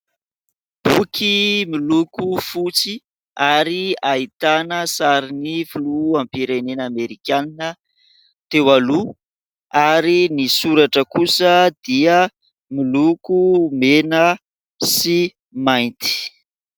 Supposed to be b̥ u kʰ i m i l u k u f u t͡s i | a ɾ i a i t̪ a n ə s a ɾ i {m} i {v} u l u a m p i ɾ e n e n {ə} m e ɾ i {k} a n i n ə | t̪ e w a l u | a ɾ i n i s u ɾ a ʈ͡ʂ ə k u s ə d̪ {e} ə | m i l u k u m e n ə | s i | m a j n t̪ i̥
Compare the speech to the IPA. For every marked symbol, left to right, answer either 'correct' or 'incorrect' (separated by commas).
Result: incorrect, incorrect, incorrect, correct, incorrect